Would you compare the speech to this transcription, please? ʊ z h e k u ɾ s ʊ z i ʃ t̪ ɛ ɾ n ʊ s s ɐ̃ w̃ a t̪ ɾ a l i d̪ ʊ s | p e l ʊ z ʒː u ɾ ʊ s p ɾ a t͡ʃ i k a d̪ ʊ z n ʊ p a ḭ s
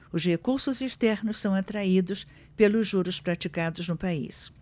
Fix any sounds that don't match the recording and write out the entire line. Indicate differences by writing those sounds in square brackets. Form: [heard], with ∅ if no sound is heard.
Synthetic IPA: ʊ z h e k u ɾ s ʊ z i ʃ t̪ ɛ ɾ n ʊ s s ɐ̃ w̃ a t̪ ɾ a [∅] i d̪ ʊ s | p e l ʊ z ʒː u ɾ ʊ s p ɾ a t͡ʃ i k a d̪ ʊ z n ʊ p a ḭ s

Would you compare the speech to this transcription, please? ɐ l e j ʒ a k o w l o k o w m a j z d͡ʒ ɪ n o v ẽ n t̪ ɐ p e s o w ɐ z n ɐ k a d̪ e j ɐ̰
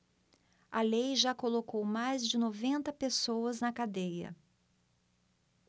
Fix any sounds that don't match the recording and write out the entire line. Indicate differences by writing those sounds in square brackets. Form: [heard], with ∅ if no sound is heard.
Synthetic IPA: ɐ l e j ʒ a k o [∅] l o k o w m a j z d͡ʒ ɪ n o v ẽ n t̪ ɐ p e s o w ɐ z n ɐ k a d̪ e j ɐ̰

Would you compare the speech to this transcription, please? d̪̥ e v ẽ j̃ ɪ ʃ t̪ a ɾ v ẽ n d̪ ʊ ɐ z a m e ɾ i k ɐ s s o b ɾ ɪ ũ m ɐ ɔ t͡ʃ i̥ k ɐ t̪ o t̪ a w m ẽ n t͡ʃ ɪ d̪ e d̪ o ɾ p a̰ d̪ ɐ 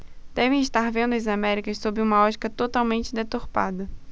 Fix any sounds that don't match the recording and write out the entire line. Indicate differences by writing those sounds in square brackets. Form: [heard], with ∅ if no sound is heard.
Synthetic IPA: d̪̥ [ɛ] v ẽ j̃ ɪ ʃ t̪ a ɾ v ẽ n d̪ ʊ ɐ z a m [ɛ] ɾ i k ɐ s s o b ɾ ɪ ũ m ɐ ɔ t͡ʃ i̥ k ɐ t̪ o t̪ a w m ẽ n t͡ʃ ɪ d̪ e [t̪] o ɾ p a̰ d̪ ɐ

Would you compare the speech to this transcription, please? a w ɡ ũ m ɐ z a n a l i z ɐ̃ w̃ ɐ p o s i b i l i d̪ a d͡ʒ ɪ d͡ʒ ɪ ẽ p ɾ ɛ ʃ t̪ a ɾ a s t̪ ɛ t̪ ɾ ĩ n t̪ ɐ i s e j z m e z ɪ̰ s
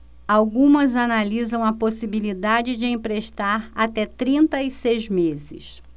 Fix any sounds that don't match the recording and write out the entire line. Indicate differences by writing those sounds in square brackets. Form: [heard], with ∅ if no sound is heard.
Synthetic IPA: a w ɡ ũ m ɐ z a n a l i z ɐ̃ w̃ ɐ p o s i b i l i d̪ a d͡ʒ ɪ d͡ʒ ɪ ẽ p ɾ [e] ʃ t̪ a ɾ a [∅] t̪ ɛ t̪ ɾ ĩ n t̪ ɐ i s e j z m e z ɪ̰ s

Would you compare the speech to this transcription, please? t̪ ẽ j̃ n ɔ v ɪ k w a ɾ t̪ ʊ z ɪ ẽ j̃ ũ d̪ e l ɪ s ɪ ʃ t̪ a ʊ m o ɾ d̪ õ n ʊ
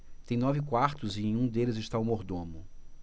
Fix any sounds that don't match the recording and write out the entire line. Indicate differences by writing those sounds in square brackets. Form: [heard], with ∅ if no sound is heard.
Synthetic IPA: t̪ ẽ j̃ n ɔ v ɪ k w a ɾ t̪ ʊ z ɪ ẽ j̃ ũ d̪ e l ɪ [z] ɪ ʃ t̪ a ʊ m o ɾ d̪ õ [m] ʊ

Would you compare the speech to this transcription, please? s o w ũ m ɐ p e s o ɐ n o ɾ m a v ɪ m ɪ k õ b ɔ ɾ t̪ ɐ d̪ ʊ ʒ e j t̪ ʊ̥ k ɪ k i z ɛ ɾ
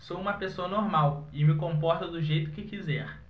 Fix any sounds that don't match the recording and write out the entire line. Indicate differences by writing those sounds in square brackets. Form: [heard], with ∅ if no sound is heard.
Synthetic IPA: s o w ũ m ɐ p e s o ɐ n o ɾ m a [w] ɪ m ɪ k õ [p] ɔ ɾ t̪ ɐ d̪ ʊ ʒ e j t̪ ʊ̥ k ɪ k i z ɛ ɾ

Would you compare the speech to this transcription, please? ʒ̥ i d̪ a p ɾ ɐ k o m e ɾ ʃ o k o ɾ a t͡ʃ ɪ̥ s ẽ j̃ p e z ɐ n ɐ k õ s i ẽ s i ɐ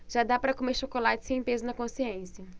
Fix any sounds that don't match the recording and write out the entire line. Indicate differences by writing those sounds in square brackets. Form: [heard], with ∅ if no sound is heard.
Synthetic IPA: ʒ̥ [a] d̪ a p ɾ ɐ k o m e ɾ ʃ o k o [l] a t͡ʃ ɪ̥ s ẽ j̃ p e z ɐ n ɐ k õ s i ẽ s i ɐ

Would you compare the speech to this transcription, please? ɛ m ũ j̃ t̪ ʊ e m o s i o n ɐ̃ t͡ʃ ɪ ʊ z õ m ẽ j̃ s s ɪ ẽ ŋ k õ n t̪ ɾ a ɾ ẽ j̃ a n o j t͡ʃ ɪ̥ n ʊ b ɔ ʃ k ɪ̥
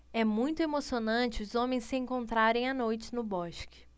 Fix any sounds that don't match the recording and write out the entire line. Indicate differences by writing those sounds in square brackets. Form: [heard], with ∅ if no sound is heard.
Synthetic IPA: ɛ m ũ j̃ t̪ ʊ e m o s i o n ɐ̃ t͡ʃ ɪ ʊ z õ m ẽ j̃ s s ɪ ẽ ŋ k õ n t̪ ɾ a ɾ ẽ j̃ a n o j t͡ʃ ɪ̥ n ʊ b ɔ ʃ k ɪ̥

